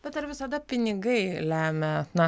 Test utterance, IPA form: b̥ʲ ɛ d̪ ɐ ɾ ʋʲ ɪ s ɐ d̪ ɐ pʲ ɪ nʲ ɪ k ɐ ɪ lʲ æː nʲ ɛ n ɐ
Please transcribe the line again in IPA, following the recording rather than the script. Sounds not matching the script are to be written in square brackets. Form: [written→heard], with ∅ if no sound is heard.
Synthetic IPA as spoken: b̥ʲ ɛ [d̪→t̪] ɐ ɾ ʋʲ ɪ s ɐ d̪ ɐ pʲ ɪ nʲ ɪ [k→ɡ] ɐ ɪ lʲ æː [nʲ→mʲ] ɛ n ɐ